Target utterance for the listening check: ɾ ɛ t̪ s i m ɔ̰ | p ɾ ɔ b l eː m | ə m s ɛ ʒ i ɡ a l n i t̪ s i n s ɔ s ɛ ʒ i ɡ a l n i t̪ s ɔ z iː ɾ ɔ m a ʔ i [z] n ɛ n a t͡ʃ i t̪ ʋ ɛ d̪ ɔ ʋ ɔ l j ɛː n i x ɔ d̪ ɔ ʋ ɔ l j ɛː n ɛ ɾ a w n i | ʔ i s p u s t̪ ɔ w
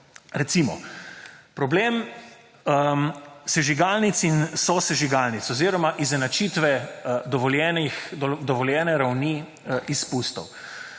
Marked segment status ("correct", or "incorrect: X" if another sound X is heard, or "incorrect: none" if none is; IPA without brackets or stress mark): correct